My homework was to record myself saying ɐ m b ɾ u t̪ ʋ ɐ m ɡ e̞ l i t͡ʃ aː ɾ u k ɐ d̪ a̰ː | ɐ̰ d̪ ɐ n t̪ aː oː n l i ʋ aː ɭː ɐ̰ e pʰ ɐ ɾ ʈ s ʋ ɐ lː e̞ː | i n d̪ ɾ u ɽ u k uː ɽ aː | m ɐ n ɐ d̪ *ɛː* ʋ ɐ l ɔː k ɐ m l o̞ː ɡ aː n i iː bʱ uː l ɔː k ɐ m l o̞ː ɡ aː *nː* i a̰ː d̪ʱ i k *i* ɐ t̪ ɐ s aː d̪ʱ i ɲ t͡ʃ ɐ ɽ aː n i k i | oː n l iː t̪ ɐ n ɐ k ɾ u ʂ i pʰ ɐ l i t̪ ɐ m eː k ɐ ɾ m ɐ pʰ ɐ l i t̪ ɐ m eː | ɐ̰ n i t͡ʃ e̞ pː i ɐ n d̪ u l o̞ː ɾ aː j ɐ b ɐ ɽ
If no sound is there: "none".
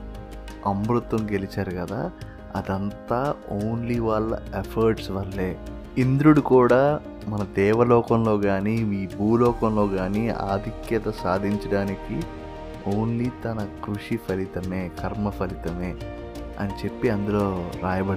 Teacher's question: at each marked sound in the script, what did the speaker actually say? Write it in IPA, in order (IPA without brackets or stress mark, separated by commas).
ɛː, n, j